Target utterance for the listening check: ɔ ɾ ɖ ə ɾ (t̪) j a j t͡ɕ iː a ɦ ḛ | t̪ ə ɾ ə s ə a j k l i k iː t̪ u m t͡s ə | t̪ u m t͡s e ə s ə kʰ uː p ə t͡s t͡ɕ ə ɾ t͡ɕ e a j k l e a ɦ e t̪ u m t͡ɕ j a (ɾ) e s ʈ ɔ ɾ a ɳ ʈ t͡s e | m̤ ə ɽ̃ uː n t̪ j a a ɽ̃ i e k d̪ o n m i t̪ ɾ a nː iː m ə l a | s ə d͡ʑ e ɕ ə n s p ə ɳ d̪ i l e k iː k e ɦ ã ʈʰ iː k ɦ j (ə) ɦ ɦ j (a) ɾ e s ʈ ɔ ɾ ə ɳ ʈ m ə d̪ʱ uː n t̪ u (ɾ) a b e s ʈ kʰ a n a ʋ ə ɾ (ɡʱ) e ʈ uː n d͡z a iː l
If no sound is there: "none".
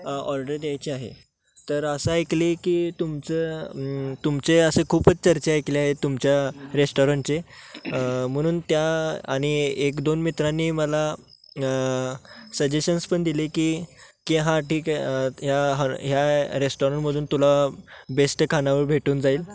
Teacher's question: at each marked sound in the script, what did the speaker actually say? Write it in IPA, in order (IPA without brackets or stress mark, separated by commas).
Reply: d̪, ɾ, a, a, l, bʱ